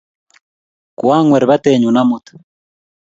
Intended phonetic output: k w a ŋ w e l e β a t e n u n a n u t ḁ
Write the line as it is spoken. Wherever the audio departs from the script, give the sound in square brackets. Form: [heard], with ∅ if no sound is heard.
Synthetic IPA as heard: k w a ŋ w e [ɾ] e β a t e [ɲ] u n a [m] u t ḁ